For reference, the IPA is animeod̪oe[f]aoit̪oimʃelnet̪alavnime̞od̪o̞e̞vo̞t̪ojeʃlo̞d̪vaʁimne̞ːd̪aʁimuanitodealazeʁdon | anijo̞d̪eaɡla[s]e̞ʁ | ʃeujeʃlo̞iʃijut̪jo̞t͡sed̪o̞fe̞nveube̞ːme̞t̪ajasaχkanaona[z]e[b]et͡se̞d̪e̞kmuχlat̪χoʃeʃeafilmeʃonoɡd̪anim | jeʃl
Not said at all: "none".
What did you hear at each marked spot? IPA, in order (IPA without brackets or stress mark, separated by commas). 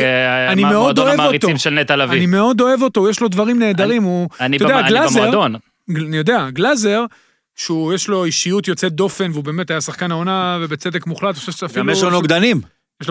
v, z, v, b